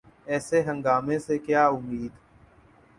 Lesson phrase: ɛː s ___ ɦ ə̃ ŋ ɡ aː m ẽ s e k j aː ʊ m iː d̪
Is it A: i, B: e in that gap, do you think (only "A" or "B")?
B